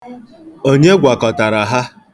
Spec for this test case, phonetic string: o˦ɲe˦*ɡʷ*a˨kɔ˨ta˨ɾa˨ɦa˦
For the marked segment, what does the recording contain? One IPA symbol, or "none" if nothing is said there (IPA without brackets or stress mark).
ɡʷ